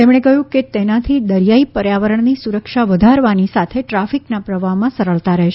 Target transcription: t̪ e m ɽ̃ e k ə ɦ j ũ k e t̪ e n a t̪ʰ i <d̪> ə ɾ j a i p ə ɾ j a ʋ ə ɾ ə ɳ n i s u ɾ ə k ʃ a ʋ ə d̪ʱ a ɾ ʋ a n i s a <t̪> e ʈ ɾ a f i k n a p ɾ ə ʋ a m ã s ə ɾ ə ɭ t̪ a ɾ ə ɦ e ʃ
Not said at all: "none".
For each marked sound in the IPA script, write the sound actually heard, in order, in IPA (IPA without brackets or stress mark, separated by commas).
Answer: d̪, t̪ʰ